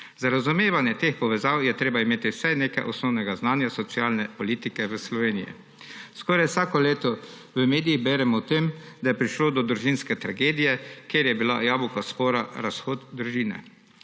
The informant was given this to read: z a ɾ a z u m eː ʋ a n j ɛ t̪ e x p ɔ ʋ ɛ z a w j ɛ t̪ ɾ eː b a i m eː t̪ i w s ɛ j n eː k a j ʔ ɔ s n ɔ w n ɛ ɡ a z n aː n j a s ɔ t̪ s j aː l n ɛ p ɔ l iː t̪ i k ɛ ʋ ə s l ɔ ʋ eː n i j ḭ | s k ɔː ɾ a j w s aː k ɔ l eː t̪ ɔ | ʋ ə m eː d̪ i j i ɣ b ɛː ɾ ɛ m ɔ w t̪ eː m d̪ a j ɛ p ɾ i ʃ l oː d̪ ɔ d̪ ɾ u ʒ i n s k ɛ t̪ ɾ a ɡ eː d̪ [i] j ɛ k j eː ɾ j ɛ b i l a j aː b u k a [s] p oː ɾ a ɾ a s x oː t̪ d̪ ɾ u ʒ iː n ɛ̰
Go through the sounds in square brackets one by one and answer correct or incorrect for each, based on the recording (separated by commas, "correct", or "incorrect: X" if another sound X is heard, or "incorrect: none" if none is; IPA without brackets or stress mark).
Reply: correct, correct